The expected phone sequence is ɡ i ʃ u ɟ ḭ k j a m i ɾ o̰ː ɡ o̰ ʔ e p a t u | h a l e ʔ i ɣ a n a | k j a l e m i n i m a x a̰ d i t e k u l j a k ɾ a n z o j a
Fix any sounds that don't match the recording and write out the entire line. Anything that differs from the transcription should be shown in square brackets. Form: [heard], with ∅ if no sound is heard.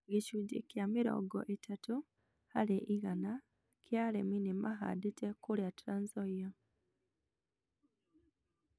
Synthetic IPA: ɡ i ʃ u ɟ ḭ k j a m i ɾ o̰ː ɡ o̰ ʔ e [t] a t u | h a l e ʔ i ɣ a n a | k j a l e m i n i m a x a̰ d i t e k u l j a [t] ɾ a n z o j a